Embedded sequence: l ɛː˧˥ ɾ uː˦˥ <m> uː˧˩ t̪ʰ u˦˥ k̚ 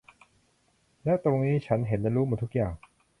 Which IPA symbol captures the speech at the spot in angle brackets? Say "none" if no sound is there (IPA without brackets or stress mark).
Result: m